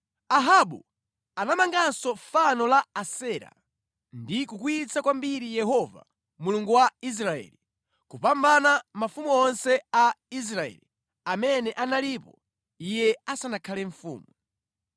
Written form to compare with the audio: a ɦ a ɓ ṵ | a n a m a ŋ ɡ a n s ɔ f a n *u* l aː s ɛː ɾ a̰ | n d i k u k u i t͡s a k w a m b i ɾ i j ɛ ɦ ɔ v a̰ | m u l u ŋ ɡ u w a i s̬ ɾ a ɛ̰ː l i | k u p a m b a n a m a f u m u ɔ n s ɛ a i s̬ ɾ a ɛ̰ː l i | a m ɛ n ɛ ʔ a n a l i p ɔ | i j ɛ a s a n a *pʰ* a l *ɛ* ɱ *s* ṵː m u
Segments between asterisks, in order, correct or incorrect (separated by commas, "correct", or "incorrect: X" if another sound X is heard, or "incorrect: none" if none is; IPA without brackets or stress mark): incorrect: ɔ, incorrect: kʰ, correct, incorrect: f